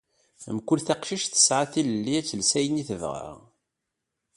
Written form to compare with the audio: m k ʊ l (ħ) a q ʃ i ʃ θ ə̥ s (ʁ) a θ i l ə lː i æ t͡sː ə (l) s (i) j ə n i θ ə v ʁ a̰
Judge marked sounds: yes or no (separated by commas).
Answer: no, no, yes, no